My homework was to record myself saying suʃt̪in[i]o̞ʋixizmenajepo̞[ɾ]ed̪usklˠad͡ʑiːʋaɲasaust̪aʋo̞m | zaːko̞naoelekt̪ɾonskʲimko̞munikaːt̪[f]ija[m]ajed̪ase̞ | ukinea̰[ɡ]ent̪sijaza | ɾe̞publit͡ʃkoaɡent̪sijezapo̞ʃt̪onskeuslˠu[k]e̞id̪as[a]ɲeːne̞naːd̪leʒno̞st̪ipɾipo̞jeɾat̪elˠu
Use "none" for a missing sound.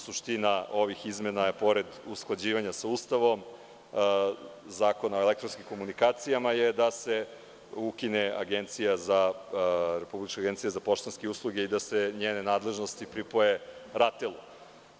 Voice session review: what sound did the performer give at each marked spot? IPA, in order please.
a, ɾ, s, m, ɡ, ɡ, e

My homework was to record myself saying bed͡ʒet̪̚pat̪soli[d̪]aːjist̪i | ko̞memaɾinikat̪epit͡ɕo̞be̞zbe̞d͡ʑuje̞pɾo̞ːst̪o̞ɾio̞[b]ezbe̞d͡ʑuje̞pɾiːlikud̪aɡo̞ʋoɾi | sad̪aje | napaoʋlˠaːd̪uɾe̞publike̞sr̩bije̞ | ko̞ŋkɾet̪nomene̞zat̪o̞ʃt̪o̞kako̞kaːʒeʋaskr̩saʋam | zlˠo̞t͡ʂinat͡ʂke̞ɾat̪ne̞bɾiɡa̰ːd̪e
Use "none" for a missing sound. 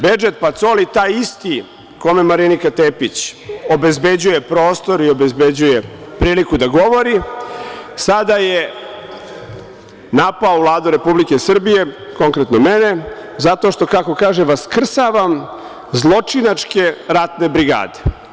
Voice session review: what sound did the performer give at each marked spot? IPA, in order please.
t̪, b

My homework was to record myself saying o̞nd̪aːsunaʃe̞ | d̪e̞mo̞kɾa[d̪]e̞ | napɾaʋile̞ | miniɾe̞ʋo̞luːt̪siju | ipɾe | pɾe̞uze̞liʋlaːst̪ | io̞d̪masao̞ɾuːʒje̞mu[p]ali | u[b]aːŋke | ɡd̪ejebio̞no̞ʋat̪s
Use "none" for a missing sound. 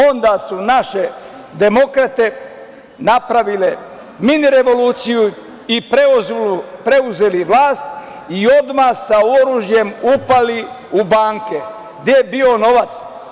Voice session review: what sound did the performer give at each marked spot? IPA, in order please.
t̪, p, b

